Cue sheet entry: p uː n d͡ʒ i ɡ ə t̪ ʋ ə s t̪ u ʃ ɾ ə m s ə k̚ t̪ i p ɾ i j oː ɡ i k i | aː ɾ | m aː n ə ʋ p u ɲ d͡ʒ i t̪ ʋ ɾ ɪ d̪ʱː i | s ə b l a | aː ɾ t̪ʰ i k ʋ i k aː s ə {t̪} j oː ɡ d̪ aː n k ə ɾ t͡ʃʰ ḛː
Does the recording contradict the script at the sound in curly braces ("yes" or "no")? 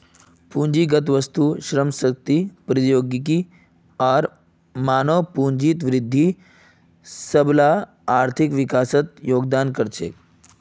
no